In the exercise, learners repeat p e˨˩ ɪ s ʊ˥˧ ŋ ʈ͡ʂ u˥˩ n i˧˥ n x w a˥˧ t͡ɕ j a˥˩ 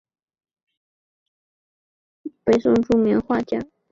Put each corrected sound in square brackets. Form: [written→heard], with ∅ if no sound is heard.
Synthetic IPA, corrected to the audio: p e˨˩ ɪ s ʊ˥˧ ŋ ʈ͡ʂ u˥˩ [n→m] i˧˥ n x w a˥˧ t͡ɕ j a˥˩